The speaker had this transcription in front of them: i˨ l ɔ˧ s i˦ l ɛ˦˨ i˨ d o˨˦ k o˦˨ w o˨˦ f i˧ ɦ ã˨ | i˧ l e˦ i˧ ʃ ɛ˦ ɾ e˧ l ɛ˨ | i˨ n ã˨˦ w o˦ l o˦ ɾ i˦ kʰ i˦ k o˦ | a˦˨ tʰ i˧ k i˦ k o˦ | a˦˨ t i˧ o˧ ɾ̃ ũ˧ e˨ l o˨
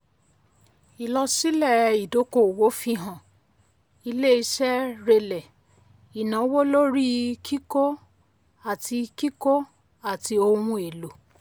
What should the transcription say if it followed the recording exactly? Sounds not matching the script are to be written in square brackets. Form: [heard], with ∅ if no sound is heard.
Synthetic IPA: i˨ l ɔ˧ s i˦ l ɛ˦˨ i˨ d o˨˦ k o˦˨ w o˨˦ f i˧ ɦ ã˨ | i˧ l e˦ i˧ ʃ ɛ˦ ɾ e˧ l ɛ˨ | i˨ n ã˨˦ w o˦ l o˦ ɾ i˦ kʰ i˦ k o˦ | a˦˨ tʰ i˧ k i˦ k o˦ | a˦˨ t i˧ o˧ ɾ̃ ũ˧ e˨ l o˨

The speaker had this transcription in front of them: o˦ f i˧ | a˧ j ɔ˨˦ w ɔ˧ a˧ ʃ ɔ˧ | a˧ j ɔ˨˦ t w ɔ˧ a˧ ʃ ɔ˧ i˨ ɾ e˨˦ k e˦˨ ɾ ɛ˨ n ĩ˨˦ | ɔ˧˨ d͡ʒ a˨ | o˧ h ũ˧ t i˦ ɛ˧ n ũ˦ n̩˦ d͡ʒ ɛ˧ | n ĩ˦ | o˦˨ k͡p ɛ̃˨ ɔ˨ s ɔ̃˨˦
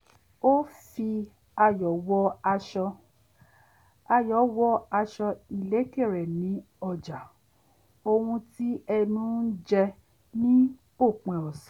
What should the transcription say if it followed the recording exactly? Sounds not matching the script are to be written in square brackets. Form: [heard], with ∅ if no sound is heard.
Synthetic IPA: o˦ f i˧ | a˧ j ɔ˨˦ w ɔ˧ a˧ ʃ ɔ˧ | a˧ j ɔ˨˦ [∅] w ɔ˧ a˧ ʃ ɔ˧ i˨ [l] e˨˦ k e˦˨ ɾ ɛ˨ n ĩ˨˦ | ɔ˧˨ d͡ʒ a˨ | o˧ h ũ˧ t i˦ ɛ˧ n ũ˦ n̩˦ d͡ʒ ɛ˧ | n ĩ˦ | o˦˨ k͡p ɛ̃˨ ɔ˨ s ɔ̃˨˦

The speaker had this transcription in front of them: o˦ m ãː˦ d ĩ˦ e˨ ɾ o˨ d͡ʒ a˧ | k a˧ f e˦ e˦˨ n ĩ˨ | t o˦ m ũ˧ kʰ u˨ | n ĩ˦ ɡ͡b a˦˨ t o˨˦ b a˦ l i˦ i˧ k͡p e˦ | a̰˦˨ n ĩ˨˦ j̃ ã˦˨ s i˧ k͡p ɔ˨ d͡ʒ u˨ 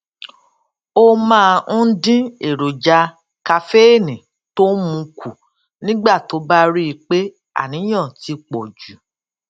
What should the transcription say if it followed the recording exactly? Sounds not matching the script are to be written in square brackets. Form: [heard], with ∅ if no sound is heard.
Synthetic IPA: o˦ m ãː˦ d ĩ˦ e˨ ɾ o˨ d͡ʒ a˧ | k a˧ f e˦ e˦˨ n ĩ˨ | t o˦ m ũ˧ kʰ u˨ | n ĩ˦ ɡ͡b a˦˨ t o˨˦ b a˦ [ɾ] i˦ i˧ k͡p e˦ | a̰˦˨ n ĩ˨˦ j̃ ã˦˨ [t] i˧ k͡p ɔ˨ d͡ʒ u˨

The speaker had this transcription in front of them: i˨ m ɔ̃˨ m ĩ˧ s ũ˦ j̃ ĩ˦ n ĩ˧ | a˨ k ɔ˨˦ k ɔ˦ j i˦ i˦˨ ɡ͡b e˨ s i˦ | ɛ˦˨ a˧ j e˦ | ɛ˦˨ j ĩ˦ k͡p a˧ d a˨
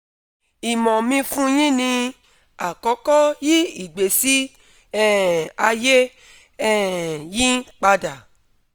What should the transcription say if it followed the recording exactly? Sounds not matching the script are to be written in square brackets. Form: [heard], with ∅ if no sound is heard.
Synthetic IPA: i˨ m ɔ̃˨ m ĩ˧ [f] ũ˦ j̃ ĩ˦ n ĩ˧ | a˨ k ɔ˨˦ k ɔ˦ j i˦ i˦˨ ɡ͡b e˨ s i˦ | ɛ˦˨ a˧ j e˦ | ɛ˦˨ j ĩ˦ k͡p a˧ d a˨

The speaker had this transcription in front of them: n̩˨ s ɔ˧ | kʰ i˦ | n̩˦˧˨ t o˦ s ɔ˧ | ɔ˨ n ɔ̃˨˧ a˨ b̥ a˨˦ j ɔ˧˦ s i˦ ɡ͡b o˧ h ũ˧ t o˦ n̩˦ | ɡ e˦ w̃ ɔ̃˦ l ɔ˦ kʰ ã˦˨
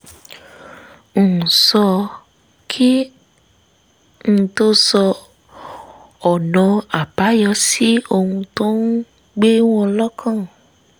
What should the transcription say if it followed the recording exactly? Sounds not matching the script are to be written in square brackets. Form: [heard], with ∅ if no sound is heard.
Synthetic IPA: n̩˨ s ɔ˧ | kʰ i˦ | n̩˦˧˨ t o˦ s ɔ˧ | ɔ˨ n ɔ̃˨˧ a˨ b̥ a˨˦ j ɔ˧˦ s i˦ [∅] o˧ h ũ˧ t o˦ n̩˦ | [ɡ͡b] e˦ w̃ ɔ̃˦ l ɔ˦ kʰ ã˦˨

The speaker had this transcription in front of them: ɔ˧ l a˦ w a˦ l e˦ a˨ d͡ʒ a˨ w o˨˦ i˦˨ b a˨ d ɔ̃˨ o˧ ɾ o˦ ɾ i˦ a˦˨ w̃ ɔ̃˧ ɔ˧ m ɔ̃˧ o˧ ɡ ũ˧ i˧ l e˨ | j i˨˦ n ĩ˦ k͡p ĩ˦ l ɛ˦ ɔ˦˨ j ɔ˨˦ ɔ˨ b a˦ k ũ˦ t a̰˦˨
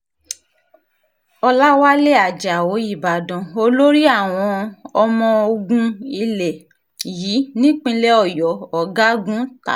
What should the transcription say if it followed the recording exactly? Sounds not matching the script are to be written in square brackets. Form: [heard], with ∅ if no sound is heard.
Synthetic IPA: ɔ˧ l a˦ w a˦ l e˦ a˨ d͡ʒ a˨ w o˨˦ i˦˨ b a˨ d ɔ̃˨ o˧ [l] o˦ ɾ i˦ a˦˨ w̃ ɔ̃˧ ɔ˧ m ɔ̃˧ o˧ ɡ ũ˧ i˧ l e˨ | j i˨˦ n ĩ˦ k͡p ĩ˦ l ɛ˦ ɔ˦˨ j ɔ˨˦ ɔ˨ [ɡ] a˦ [ɡ] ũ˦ t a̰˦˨

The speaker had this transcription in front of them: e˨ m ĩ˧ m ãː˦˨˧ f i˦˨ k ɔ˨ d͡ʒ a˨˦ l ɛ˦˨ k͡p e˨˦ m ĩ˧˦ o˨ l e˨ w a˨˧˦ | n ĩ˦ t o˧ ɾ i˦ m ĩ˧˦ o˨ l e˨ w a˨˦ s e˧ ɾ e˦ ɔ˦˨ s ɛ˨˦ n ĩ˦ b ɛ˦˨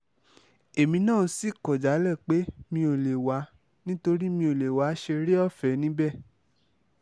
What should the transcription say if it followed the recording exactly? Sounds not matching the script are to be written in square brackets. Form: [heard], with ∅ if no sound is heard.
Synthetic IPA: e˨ m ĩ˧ [n] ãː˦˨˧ [s] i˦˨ k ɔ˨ d͡ʒ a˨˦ l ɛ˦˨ k͡p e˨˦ m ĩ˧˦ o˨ l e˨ w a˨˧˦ | n ĩ˦ t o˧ ɾ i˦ m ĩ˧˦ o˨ l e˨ w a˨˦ [ʃ] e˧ ɾ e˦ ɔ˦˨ [f] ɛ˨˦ n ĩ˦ b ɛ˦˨

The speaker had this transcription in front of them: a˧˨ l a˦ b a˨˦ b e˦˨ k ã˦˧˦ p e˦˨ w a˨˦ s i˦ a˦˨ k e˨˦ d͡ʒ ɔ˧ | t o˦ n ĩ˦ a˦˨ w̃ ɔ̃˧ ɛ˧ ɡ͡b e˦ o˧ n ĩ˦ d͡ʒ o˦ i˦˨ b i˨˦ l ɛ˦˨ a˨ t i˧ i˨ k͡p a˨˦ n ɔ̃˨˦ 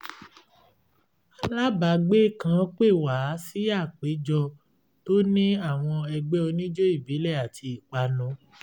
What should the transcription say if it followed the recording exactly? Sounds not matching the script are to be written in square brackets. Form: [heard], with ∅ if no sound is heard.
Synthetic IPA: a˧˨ l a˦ b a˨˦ [ɡ͡b] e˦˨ k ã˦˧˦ [k͡p] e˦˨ w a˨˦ s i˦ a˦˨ [k͡p] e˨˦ d͡ʒ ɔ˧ | t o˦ n ĩ˦ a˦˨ w̃ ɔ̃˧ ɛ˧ ɡ͡b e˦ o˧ n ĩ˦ d͡ʒ o˦ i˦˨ b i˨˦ l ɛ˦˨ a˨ t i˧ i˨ k͡p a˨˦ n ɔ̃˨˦

